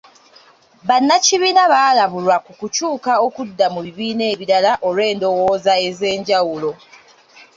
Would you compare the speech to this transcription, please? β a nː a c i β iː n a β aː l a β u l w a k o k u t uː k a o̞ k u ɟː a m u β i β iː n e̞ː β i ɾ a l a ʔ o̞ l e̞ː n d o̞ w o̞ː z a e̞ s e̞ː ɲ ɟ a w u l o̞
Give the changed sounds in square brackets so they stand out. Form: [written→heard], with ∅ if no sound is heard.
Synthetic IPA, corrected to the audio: β a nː a c i β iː n a β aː l a β u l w a k [o→u] k u [t→c] uː k a o̞ k u [ɟː→dː] a m u β i β iː n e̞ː β i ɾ a l a ʔ o̞ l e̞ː n d o̞ w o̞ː z a e̞ [s→z] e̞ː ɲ ɟ a w u l o̞

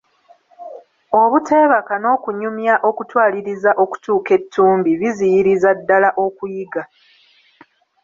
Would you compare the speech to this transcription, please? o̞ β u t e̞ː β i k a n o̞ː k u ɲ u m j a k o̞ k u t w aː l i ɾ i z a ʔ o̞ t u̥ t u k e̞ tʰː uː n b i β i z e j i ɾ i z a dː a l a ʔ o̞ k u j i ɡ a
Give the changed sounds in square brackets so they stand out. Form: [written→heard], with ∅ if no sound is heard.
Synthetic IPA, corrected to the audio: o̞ β u t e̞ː β [i→a] k a n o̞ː k u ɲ u m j a [k→ʔ] o̞ k u t w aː l i ɾ i z a ʔ o̞ [t→k] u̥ t [u→uː] k e̞ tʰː uː [n→m] b i β i z [e→i] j i ɾ i z a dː a l a ʔ o̞ k u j i ɡ a

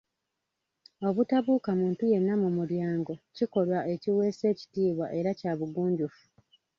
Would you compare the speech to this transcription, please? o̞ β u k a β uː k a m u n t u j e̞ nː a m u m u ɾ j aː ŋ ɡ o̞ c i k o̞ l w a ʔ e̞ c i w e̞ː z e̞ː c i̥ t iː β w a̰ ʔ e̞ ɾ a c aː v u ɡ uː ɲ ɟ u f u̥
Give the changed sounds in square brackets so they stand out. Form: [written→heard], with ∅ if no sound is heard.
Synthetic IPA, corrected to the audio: o̞ β u [k→t] a β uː k a m [u→uː] n t u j e̞ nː a m u m u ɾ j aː ŋ ɡ o̞ c i k o̞ l w a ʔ e̞ c i w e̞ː [z→s] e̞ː c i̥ t iː β w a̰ ʔ e̞ ɾ a c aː [v→β] u ɡ uː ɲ ɟ u f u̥

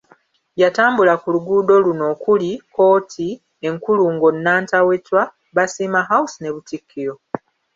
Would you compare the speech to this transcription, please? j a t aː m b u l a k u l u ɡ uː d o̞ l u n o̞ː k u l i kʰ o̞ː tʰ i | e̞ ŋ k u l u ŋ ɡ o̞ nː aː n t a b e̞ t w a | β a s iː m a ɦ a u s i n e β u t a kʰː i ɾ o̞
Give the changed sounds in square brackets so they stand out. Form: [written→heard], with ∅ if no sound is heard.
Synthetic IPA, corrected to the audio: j a t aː m b u l a k u l u ɡ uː d o̞ l u n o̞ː k u l i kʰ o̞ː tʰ i | e̞ ŋ k u l u ŋ ɡ o̞ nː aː n t a [b→w] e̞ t w a | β a s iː m a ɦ a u s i n e β u t [a→i] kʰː i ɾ o̞

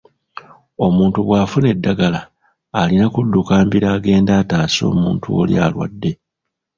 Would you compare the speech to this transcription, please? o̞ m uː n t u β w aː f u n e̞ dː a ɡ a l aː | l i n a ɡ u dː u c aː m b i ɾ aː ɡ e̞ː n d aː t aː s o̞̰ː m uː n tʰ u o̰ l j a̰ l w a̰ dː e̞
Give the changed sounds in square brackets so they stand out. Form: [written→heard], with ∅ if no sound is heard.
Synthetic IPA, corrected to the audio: o̞ m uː n t u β w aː f u n e̞ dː a ɡ a l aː | l i n a [ɡ→k] u dː u [c→k] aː m b i ɾ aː ɡ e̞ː n d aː t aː s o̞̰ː m uː n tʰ u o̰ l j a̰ l w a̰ dː e̞

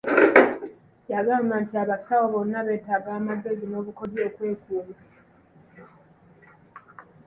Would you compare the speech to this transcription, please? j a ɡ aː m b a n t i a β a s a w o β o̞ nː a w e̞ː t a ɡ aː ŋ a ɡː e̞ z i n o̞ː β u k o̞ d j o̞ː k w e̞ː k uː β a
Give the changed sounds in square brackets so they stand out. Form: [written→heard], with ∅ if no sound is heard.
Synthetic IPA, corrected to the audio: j a ɡ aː m b a n t i a β a s a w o β o̞ nː a [w→β] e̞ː t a ɡ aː [ŋ→m] a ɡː e̞ z i n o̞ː β u k o̞ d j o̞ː k w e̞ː k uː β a

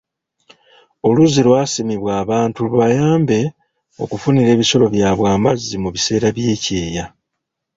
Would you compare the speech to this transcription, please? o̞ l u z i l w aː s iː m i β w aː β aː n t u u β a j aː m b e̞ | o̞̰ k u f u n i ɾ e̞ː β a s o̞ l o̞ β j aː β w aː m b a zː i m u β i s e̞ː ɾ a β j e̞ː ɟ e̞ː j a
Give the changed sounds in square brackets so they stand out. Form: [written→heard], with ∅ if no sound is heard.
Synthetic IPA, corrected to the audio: o̞ l u z i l w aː s [iː→i] m i β w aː β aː n t u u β a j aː m b e̞ | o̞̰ k u f u n i ɾ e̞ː β [a→i] s o̞ l o̞ β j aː β w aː m b a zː i m u β i s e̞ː ɾ a β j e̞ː [ɟ→c] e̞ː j a

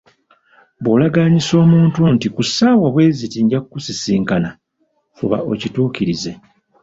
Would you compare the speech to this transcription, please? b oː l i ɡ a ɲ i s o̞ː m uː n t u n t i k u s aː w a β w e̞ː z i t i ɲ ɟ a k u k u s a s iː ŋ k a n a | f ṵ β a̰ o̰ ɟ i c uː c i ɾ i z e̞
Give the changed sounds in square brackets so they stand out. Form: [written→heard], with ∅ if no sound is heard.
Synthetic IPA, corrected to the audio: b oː l [i→a] ɡ a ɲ i s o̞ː m uː n t u n t i k u s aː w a β w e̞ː z i t i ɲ ɟ a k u k u s [a→i] s iː ŋ k a n a | f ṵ β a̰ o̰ [ɟ→c] i [c→t] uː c i ɾ i z e̞

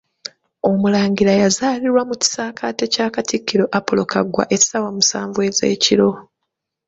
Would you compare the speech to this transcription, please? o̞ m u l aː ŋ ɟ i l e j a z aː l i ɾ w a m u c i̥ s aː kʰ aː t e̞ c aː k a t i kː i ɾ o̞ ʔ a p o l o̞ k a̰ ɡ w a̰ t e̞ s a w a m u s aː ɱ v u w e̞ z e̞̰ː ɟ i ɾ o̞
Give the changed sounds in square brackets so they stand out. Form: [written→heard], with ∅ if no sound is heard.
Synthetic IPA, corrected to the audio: o̞ m u l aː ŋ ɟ i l [e→a] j a z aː l i ɾ w a m u c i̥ s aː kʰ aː t e̞ c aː k a t i kː i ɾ o̞ ʔ a p o l o̞ k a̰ ɡ w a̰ [t→ʔ] e̞ s a w a m u s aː ɱ v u w e̞ z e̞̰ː [ɟ→c] i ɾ o̞

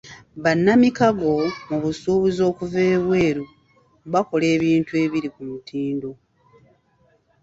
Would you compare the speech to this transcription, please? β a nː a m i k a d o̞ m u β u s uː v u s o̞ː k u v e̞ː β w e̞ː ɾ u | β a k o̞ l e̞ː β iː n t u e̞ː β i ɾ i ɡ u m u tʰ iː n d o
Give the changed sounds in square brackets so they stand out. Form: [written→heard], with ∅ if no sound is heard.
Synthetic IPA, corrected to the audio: β a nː a m i k a [d→ɡ] o̞ m u β u s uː [v→β] u [s→z] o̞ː k u v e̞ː β w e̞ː ɾ u | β a k o̞ l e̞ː β iː n t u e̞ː β i ɾ i [ɡ→k] u m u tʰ iː n d o

